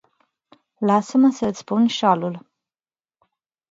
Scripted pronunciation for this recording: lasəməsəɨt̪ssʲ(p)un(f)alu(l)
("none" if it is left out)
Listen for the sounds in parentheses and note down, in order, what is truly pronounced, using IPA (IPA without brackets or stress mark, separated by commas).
p, ʃ, l